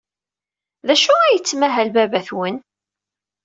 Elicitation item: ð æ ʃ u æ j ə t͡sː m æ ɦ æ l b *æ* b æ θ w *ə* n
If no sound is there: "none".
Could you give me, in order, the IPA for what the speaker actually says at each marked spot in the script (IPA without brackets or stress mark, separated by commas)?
æ, ə